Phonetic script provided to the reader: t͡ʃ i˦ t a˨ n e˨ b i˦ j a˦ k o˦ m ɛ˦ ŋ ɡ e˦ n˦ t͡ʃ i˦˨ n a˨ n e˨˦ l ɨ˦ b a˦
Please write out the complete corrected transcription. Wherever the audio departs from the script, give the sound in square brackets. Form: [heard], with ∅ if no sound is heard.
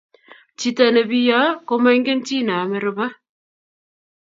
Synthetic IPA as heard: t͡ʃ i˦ t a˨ n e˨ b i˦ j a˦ k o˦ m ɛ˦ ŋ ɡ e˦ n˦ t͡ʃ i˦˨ n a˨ [m] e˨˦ [ɾ] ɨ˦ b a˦